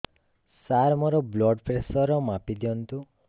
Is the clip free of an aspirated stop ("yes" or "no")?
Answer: yes